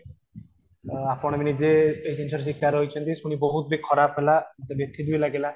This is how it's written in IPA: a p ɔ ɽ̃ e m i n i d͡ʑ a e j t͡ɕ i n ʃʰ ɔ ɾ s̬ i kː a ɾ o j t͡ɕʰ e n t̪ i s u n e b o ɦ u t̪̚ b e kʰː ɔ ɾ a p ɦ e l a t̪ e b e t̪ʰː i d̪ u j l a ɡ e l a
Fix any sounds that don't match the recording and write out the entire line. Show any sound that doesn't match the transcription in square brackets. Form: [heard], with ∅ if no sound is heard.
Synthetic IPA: a p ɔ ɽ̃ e m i n i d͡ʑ [e] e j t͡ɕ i n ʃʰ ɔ ɾ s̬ i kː a ɾ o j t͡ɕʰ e n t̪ i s u n [i] b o ɦ u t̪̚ b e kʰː ɔ ɾ a p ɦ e l a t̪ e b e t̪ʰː i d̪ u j l a ɡ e l a